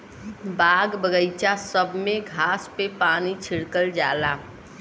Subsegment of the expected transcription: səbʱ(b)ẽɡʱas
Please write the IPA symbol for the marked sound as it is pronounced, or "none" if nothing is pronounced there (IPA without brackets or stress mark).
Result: m